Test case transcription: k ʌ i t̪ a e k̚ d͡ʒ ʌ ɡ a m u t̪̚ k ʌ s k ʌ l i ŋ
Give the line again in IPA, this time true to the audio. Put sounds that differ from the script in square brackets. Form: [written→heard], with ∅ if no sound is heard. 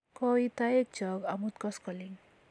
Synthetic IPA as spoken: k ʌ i t̪ a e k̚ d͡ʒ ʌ ɡ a m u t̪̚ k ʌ s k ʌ l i ŋ